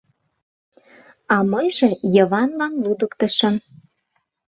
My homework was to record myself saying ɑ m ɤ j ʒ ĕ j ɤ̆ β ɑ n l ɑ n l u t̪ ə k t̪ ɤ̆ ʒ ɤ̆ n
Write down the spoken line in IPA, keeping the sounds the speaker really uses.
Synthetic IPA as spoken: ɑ m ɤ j ʒ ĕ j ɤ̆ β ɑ n l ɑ n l u d̪ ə k t̪ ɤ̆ ʃ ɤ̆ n